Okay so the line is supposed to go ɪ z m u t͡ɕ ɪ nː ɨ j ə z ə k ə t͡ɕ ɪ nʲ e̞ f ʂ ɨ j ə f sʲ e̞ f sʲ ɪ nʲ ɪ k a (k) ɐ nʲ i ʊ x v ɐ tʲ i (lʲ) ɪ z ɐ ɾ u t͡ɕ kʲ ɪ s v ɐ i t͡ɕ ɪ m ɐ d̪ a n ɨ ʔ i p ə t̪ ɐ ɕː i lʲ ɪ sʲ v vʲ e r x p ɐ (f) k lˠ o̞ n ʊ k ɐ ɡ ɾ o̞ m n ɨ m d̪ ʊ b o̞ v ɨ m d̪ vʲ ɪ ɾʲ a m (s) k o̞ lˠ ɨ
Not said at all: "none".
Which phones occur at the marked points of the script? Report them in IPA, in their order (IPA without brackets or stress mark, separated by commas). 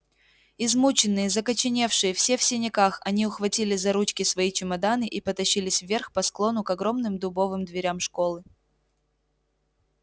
x, lʲ, s, ʂ